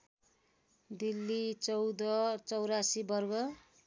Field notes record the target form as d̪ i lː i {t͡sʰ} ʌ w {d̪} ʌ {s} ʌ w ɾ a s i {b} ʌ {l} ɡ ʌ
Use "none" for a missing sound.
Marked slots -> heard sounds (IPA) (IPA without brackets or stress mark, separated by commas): t͡s, d̪, t͡s, b, r